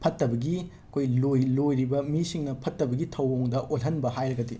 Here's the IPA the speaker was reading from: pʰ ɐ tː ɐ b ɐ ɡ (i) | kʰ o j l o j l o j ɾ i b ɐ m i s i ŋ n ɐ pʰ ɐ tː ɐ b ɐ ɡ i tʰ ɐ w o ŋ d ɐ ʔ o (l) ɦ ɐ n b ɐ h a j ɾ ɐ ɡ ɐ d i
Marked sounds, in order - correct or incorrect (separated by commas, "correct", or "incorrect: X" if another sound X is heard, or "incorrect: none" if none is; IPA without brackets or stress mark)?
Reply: correct, correct